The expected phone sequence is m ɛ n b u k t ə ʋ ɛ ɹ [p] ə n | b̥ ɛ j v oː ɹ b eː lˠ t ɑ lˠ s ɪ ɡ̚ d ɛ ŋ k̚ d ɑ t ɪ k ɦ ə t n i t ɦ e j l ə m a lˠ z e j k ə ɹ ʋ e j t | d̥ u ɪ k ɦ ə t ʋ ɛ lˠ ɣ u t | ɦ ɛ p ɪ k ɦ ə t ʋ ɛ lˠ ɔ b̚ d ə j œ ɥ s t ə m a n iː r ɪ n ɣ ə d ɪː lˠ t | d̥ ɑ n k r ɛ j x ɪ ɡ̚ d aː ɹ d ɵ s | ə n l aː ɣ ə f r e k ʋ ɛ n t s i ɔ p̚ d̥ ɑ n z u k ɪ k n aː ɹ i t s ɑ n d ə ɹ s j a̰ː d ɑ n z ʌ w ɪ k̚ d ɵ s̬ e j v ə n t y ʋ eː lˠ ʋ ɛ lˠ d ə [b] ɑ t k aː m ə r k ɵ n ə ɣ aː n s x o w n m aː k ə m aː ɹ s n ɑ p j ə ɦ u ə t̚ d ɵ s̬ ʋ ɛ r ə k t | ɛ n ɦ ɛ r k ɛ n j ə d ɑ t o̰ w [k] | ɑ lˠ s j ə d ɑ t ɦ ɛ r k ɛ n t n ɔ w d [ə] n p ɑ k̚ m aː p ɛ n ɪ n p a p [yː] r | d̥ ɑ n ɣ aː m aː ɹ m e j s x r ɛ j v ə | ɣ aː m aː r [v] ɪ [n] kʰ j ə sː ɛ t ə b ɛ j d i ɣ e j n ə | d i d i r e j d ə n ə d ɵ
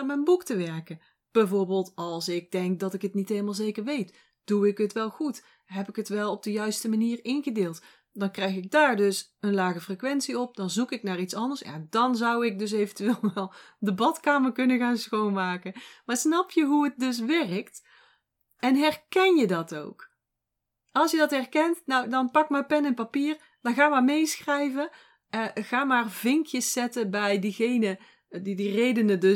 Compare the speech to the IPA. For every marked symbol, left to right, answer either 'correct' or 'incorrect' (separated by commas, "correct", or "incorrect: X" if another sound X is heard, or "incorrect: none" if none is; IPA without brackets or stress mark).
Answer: incorrect: k, correct, correct, incorrect: ɑ, incorrect: iː, correct, incorrect: ŋ